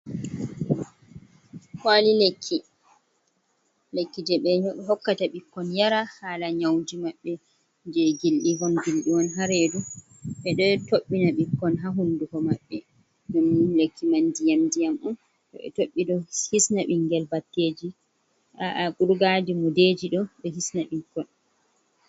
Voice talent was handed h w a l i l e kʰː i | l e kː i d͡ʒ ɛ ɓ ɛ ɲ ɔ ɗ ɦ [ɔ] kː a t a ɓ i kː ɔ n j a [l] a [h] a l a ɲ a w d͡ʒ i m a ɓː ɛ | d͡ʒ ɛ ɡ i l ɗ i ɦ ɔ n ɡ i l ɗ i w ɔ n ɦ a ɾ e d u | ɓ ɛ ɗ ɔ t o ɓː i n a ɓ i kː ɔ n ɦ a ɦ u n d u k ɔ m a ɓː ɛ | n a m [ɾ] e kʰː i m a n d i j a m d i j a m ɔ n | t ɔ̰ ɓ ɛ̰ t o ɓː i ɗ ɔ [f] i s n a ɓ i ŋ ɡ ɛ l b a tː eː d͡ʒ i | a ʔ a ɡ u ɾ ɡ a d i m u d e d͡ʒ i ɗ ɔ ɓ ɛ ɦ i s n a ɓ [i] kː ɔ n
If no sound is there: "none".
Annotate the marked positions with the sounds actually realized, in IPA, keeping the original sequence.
ɔ, ɾ, h, l, h, i

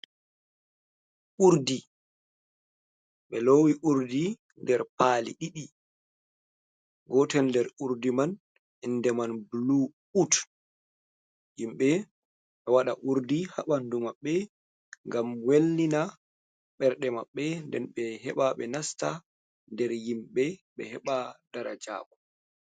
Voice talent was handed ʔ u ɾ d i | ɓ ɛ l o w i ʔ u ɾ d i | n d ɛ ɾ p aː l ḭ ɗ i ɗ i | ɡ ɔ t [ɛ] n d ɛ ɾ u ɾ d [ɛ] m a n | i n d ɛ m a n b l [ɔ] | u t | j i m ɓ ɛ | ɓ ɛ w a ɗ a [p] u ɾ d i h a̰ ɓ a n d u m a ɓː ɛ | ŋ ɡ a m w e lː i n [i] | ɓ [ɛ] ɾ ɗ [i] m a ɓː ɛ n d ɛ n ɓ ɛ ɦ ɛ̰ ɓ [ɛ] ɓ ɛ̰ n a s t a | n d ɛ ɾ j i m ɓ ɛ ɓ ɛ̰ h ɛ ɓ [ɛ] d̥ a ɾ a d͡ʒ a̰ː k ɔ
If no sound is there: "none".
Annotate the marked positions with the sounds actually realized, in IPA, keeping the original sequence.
ɛ, i, u, ʔ, a, ɛ, ɛ, a, a

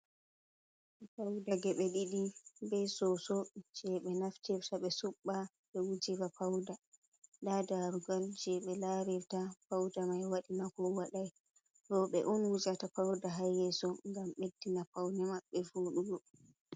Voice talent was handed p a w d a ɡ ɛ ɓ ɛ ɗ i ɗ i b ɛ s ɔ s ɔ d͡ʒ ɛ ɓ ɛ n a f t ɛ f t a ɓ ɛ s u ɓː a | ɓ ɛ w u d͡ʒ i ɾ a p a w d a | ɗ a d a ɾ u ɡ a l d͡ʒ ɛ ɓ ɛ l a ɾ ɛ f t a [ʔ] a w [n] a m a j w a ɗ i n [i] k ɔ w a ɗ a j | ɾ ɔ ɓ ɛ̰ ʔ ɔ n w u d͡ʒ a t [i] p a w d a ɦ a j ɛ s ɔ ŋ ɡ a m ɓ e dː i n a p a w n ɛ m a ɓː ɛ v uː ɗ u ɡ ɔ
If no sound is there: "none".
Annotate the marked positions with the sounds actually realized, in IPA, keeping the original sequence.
p, d, a, a

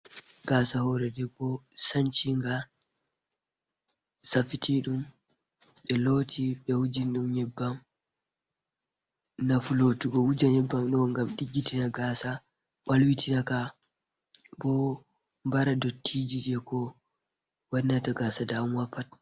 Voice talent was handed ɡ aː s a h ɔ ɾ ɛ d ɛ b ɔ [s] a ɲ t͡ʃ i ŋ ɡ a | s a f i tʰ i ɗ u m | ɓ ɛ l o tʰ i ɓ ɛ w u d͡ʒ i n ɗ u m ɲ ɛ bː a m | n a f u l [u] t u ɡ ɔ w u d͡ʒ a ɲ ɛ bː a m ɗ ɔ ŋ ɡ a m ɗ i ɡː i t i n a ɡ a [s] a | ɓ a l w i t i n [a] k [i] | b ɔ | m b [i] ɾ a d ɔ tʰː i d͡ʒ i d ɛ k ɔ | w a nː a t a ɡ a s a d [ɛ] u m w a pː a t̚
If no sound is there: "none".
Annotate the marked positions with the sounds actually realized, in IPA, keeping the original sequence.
s, o, s, a, a, a, a

